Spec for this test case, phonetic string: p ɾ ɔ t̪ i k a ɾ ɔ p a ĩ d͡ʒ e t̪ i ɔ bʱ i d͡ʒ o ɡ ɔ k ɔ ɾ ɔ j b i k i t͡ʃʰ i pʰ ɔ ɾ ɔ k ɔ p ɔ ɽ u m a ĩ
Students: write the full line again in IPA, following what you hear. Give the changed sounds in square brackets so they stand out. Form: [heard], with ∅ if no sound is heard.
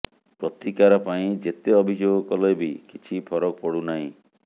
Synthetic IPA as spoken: p ɾ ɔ t̪ i k a ɾ ɔ p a ĩ d͡ʒ e t̪ [e] ɔ bʱ i d͡ʒ o ɡ ɔ k ɔ [l] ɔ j b i k i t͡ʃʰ i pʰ ɔ ɾ ɔ k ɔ p ɔ ɽ u [n] a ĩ